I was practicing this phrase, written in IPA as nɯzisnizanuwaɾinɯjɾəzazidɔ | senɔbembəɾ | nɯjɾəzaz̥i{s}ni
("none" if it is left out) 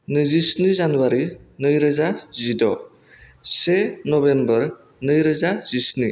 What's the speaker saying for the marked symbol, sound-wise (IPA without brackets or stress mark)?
s